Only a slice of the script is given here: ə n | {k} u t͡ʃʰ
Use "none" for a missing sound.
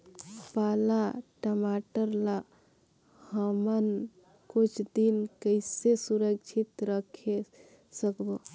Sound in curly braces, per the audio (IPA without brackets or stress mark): k